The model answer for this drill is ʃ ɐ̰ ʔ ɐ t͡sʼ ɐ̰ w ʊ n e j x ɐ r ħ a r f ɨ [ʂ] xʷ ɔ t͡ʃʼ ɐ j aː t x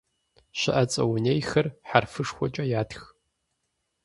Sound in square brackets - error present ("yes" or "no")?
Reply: no